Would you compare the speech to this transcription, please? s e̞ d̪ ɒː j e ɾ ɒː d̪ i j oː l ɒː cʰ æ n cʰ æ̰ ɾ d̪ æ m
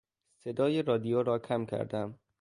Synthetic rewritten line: s e̞ d̪ ɒː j e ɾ ɒː d̪ i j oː ɾ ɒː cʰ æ m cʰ æ̰ ɾ d̪ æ m